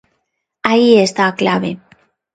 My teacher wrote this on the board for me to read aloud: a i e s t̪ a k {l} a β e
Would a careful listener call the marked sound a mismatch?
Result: no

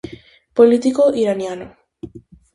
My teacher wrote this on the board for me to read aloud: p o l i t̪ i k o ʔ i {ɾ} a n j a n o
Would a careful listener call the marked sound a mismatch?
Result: no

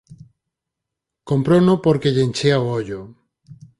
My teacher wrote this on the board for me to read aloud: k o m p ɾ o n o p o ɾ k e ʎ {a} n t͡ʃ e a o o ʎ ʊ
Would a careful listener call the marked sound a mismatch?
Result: yes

